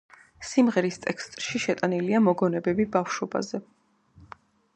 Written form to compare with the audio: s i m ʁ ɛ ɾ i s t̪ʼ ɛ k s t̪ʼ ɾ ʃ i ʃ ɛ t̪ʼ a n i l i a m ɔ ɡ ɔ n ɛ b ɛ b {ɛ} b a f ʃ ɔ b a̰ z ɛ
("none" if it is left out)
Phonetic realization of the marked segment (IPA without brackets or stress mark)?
i